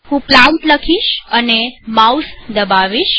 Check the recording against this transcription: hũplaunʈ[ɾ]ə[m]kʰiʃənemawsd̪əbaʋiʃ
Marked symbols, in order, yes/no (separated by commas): no, no